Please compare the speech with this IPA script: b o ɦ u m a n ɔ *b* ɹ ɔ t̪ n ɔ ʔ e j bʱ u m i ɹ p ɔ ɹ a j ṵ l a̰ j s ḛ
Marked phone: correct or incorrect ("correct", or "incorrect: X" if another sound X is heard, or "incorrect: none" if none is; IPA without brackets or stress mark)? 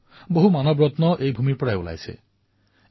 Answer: correct